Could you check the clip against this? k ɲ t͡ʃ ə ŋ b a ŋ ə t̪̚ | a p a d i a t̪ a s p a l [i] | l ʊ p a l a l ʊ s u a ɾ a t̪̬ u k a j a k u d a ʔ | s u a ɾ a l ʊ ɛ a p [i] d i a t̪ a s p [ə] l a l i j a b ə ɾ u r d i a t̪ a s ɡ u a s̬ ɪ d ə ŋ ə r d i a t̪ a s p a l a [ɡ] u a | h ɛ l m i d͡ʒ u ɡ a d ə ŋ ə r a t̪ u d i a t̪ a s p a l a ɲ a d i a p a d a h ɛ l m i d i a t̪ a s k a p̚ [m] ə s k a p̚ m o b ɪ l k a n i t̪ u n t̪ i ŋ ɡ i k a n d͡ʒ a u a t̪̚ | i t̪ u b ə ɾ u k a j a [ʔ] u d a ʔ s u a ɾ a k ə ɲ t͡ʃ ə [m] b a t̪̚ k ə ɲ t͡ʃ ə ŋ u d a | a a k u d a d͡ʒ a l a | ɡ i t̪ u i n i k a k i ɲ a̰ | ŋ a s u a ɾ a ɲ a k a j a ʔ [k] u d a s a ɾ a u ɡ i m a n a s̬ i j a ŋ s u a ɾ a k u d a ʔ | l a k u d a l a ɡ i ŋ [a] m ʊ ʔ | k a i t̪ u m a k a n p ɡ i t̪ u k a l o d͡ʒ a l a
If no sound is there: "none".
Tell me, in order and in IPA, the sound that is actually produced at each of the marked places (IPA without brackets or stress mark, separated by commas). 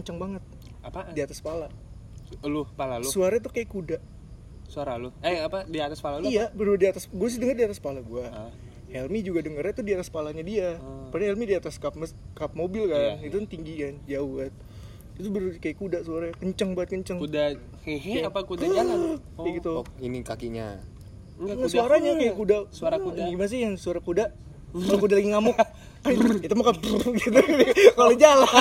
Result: a, a, a, ɡ, m, k, ŋ, k, a